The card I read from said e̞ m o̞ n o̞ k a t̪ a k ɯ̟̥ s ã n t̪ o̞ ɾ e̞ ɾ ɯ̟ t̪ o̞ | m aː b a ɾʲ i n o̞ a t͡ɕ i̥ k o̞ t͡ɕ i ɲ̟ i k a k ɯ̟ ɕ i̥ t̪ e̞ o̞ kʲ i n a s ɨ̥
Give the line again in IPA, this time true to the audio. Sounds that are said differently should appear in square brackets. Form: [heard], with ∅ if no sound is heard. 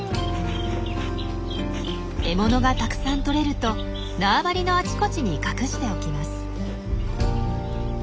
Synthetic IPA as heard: e̞ m o̞ n o̞ [ɡ] a t̪ a k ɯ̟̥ s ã n t̪ o̞ ɾ e̞ ɾ ɯ̟ t̪ o̞ | [n] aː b a ɾʲ i n o̞ a t͡ɕ i̥ k o̞ t͡ɕ i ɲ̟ i k a k ɯ̟ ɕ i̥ t̪ e̞ o̞ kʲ i [m] a s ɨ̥